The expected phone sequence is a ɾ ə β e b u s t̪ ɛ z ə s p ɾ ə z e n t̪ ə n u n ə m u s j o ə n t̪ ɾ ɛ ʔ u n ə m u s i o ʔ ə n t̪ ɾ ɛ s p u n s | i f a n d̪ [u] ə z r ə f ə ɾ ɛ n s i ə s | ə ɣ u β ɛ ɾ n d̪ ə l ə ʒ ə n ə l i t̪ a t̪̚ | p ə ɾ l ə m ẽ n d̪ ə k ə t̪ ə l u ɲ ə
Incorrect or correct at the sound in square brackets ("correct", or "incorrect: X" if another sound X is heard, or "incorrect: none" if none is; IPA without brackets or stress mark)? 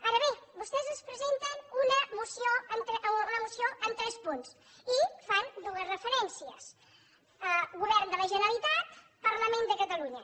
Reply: correct